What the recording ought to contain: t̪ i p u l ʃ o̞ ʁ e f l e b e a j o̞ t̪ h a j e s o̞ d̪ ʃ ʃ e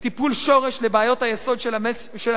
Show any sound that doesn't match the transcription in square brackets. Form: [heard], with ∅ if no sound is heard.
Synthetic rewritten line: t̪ i p u l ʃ o̞ ʁ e [ʃ] l e b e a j o̞ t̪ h a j e s o̞ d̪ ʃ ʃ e